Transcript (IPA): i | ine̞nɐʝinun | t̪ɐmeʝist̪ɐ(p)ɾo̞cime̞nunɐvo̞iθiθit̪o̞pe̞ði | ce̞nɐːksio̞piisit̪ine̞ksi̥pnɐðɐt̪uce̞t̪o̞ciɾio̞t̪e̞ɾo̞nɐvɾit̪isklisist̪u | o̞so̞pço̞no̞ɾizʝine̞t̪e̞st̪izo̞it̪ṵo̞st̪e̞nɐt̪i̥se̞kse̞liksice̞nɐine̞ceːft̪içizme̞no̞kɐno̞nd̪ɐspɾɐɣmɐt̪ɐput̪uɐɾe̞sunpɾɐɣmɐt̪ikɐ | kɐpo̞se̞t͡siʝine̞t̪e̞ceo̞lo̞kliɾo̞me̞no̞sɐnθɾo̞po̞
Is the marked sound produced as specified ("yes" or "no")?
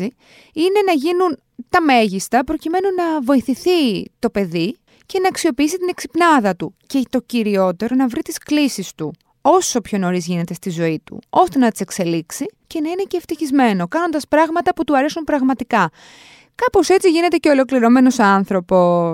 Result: yes